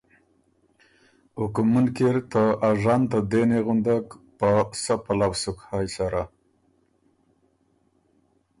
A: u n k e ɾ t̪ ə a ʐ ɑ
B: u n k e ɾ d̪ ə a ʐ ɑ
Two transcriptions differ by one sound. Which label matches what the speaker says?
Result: A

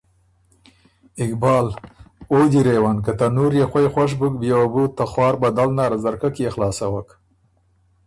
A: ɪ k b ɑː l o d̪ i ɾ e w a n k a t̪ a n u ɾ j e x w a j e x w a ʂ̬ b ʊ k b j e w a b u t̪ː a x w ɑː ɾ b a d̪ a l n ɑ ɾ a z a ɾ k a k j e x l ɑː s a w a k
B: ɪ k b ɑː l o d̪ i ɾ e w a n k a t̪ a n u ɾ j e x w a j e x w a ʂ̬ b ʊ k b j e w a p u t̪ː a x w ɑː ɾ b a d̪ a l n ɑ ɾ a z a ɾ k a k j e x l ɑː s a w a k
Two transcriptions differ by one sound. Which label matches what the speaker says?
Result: A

